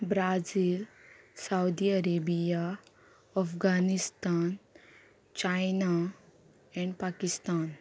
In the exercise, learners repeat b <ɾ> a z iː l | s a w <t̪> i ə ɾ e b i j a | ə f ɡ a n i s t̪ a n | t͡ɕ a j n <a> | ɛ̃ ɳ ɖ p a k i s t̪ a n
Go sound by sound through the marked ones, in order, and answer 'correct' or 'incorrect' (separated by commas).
correct, incorrect, correct